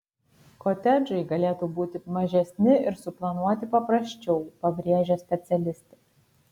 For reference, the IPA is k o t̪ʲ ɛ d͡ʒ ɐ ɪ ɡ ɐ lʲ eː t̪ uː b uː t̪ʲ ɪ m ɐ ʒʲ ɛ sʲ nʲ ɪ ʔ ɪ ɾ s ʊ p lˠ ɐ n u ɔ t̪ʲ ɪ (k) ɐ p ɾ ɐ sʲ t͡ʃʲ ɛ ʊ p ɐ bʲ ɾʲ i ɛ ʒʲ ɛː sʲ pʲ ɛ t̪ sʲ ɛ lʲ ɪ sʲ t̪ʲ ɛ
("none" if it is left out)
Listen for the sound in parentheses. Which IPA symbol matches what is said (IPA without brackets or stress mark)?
p